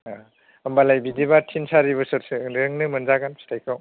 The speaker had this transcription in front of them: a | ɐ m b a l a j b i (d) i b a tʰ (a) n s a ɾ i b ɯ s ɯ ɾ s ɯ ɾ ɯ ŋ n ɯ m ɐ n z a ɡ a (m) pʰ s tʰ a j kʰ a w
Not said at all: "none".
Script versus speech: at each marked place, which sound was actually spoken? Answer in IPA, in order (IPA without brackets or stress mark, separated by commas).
d, i, n